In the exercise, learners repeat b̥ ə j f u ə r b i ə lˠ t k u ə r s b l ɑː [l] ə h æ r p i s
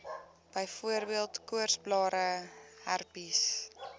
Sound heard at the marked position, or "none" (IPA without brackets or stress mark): ɾ